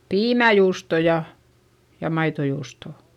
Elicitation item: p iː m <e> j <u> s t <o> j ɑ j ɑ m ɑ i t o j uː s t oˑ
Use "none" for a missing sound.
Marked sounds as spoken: æ, uː, o

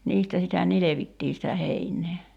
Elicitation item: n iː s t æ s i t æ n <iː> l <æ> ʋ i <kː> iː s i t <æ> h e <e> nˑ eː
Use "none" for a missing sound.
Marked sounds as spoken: i, e, tː, æ, i

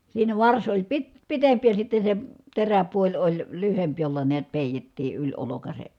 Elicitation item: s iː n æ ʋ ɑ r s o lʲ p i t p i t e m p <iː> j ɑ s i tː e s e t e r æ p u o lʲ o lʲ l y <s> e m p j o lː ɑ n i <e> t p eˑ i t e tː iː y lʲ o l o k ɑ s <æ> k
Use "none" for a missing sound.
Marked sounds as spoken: i, h, æ, e

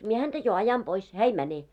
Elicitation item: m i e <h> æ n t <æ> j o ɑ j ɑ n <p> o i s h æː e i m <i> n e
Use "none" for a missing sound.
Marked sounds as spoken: h, æ, p, æ

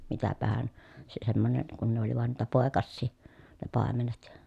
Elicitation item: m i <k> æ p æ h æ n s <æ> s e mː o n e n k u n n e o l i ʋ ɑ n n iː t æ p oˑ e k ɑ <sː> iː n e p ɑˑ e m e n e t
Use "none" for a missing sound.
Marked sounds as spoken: t, e, sː

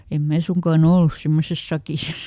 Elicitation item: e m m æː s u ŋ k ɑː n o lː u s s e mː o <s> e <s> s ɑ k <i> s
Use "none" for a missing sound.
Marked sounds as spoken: s, s, i

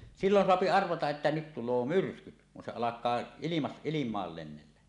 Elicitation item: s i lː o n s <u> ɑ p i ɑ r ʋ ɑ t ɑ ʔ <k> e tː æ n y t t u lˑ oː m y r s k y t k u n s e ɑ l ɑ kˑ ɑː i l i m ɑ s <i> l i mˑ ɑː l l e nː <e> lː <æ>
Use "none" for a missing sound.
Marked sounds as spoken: o, ʔ, i, e, æ

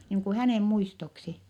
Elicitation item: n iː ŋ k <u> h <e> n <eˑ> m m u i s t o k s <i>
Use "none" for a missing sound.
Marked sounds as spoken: u, æ, eˑ, i

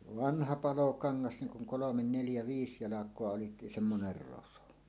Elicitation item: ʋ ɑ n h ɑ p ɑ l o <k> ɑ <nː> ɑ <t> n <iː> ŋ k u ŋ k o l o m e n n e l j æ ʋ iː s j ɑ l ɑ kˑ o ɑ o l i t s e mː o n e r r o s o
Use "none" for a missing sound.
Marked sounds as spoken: k, ŋː, s, i

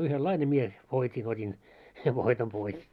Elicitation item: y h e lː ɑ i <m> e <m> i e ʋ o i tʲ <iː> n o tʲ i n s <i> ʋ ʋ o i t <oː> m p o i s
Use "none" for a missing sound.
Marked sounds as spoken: n, m, i, e, o

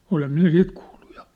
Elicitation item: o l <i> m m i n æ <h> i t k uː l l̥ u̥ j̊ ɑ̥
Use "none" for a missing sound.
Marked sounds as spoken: e, s

